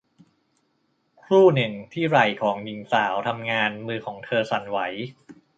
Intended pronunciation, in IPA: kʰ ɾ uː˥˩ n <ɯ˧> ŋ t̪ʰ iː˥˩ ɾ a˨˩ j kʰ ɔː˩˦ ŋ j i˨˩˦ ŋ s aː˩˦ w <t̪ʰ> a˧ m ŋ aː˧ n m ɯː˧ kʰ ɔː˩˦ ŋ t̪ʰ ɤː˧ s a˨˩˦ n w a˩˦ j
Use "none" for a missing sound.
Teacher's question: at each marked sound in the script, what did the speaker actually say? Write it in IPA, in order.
ɯ˨˩, t̪ʰ

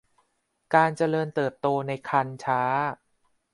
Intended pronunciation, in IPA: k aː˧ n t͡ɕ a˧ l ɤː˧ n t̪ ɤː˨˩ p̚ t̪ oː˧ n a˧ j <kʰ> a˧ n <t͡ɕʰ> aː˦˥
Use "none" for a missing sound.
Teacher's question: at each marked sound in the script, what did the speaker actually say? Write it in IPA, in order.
kʰ, t͡ɕʰ

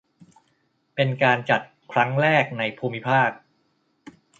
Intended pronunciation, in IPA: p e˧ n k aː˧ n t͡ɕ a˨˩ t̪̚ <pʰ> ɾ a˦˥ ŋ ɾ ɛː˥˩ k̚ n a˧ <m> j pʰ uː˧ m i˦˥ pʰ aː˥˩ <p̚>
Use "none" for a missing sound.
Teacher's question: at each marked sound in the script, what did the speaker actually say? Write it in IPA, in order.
kʰ, none, k̚

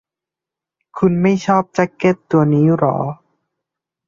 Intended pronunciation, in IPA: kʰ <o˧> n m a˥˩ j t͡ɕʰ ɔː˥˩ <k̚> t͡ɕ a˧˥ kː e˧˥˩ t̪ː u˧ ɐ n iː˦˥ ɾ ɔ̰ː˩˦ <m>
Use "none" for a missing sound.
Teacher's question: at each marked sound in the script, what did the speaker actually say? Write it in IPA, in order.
u˧, p̚, none

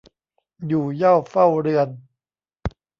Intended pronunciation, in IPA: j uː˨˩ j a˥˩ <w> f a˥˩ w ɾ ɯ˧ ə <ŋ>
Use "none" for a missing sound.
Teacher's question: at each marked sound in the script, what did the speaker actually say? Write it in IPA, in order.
w, n

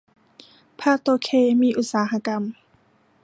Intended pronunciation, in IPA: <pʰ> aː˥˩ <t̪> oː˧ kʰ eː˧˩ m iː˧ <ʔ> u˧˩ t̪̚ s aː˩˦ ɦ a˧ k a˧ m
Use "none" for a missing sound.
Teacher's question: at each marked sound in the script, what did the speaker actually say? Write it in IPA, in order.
pʰ, t̪, ʔ

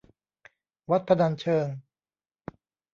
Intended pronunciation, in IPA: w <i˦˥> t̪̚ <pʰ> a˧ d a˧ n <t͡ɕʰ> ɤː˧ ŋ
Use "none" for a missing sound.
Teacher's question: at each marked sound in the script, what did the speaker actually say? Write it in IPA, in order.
a˦˥, pʰ, t͡ɕʰ

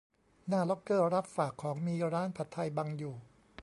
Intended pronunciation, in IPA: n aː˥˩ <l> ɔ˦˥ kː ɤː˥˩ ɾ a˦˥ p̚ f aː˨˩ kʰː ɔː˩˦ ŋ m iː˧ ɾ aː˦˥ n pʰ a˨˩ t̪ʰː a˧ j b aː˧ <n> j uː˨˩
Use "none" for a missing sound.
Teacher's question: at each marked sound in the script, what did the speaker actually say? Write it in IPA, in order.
l, ŋ

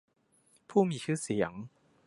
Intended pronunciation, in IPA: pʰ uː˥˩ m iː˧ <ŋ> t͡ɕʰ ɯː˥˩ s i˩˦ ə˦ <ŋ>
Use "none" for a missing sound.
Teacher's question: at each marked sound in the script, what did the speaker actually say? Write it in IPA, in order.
none, ŋ

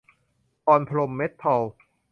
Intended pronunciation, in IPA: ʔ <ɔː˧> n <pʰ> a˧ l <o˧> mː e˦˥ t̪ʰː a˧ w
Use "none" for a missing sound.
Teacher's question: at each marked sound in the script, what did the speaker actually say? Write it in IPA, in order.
ɔː˧, pʰ, o˧

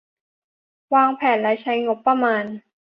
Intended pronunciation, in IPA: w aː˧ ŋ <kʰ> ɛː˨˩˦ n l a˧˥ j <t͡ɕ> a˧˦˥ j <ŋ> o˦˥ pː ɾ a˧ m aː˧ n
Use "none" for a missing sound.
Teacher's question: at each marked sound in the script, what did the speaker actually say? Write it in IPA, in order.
pʰ, t͡ɕʰ, ŋ

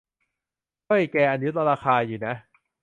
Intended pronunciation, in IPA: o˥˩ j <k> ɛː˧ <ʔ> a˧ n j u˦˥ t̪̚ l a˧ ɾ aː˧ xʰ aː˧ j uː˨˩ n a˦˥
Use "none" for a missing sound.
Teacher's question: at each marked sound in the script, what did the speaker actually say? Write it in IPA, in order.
k, ʔ

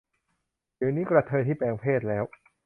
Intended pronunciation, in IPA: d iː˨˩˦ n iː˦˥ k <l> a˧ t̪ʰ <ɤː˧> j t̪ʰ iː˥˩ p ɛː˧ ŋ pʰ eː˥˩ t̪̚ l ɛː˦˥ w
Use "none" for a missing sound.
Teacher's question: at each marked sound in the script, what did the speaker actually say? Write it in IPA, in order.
ɾ, ɤː˧

